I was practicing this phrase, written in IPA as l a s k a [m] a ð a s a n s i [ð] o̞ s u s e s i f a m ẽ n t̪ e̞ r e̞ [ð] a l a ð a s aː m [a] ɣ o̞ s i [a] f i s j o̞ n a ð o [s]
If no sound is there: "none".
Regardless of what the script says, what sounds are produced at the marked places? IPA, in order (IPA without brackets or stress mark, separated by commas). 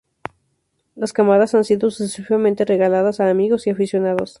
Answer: m, ð, ɣ, i, a, s